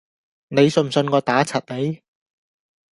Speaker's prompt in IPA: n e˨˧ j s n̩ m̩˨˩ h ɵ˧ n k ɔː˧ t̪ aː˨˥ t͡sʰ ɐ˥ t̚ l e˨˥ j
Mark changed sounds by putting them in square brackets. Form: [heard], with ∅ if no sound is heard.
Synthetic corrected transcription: n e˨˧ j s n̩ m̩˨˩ [s] ɵ˧ n k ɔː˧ t̪ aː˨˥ t͡sʰ [ɐ˨] t̚ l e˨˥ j

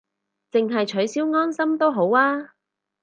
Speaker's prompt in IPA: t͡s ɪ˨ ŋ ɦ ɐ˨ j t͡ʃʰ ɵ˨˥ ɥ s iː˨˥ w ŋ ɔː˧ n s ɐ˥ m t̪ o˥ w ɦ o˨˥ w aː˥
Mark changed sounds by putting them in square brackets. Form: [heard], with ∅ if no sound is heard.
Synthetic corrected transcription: t͡s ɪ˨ ŋ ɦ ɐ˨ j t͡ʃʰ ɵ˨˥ ɥ s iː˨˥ w ŋ [ɔː˥] n s ɐ˥ m t̪ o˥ w ɦ o˨˥ w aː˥

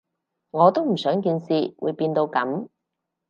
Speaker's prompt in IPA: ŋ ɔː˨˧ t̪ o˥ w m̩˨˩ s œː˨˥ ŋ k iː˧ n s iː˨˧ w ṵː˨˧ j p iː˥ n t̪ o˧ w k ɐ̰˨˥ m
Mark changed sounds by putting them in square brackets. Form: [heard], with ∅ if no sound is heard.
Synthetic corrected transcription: ŋ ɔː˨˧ t̪ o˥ w m̩˨˩ s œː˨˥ ŋ k iː˧ n s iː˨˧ w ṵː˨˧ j p [iː˧] n t̪ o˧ w k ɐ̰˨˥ m

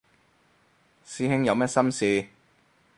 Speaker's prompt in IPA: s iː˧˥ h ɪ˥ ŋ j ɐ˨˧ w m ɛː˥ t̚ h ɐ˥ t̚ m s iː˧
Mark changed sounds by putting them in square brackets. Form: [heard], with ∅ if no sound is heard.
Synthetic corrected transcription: s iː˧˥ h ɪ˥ ŋ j ɐ˨˧ w m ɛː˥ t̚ [s] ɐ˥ [∅] m s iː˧

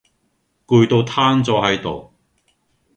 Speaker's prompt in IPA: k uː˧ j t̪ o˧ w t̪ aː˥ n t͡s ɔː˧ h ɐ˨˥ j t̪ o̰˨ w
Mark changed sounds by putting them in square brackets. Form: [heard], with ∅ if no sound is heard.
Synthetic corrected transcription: k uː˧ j t̪ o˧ w [t̪ʰ] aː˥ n t͡s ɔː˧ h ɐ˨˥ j t̪ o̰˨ w

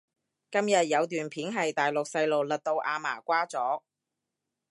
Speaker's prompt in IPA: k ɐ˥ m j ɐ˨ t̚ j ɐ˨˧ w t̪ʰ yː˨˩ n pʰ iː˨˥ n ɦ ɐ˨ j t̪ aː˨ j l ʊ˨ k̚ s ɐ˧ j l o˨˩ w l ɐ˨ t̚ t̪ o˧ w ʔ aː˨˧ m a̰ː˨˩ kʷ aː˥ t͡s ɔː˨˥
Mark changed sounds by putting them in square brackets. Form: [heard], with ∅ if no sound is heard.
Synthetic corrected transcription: k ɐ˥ m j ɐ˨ t̚ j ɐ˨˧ w [t̪] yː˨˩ n pʰ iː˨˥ n ɦ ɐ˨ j t̪ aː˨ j l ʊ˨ k̚ s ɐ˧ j l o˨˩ w l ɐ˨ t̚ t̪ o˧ w ʔ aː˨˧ m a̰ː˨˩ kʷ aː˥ t͡s ɔː˨˥

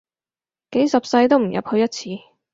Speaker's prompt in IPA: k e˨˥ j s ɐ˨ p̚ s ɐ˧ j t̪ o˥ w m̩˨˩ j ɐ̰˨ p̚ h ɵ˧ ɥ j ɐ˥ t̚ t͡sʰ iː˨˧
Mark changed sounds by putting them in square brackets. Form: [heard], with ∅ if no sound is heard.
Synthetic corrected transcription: k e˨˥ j s ɐ˨ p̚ s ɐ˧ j t̪ o˥ w m̩˨˩ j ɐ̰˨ p̚ h ɵ˧ ɥ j ɐ˥ t̚ t͡sʰ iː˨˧

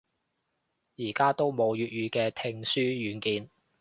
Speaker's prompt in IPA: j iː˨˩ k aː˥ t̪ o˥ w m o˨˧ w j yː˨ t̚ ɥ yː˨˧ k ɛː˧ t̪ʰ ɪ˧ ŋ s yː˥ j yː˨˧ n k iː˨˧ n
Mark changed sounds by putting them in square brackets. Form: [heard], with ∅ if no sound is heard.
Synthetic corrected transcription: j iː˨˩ k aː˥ t̪ o˥ w m o˨˧ w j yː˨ t̚ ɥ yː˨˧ k ɛː˧ t̪ʰ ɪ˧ ŋ s yː˥ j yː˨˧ n k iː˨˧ n

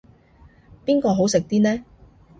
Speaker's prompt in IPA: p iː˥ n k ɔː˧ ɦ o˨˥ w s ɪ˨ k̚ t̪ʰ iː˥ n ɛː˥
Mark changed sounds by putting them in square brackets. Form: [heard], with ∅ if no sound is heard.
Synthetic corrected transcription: p iː˥ n k ɔː˧ ɦ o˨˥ w s ɪ˨ k̚ [t̪] iː˥ n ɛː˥

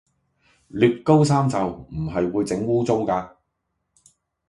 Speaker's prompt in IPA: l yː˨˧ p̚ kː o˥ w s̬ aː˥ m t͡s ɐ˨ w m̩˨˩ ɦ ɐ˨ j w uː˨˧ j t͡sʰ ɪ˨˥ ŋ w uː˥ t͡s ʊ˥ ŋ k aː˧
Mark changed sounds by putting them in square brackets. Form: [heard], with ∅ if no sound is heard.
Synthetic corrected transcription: l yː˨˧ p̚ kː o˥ w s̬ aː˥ m t͡s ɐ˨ w m̩˨˩ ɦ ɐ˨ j w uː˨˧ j [t͡s] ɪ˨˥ ŋ w uː˥ t͡s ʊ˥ ŋ k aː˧

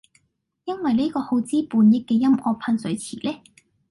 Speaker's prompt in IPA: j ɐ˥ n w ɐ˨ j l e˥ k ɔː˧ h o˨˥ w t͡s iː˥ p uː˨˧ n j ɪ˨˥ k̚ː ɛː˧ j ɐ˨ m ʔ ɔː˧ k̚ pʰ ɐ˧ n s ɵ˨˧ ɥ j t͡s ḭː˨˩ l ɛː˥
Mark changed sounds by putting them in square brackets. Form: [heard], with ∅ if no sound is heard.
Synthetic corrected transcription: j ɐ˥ n w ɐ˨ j l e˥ k ɔː˧ h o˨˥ w t͡s iː˥ p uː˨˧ n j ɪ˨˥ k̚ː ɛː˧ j [ɐ˥] m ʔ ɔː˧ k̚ pʰ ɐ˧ n s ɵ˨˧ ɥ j [t͡sʰ] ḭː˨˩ l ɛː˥

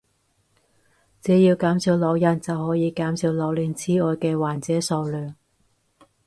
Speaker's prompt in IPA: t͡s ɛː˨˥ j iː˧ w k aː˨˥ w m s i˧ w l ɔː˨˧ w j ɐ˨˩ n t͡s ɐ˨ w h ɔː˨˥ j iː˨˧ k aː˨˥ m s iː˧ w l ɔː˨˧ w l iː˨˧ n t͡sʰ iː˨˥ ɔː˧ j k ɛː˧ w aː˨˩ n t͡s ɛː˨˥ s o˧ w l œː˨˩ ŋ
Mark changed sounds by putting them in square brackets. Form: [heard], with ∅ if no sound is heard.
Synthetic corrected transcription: t͡s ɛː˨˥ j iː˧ w k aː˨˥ [∅] m s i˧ w l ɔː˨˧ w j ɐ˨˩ n t͡s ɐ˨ w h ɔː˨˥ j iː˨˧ k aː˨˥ m s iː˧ w l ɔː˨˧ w l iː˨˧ n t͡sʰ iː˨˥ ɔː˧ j k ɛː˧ w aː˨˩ n t͡s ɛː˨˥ s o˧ w l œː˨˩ ŋ

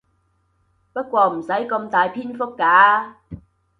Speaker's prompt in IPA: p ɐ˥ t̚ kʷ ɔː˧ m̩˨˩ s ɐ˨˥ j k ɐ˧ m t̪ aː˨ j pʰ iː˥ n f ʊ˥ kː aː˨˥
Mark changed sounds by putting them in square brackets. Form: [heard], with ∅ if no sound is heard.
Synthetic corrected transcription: p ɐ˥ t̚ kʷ ɔː˧ m̩˨˩ s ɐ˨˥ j k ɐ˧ m t̪ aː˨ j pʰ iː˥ n f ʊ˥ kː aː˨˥

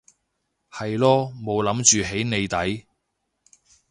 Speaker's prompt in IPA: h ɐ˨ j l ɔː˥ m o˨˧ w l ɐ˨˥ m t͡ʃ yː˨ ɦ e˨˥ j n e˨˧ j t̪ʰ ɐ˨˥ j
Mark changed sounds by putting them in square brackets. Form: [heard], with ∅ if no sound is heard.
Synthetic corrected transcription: h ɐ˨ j l ɔː˥ m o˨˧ w l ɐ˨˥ m t͡ʃ yː˨ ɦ e˨˥ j n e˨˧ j [t̪] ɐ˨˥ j

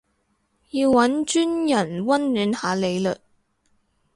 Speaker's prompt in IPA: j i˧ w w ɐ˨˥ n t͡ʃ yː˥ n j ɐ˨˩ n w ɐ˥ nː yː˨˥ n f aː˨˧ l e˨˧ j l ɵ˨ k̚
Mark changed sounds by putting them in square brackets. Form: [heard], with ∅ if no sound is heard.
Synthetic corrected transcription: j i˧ w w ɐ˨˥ n t͡ʃ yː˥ n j ɐ˨˩ n w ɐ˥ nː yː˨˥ n [h] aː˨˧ l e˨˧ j l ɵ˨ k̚

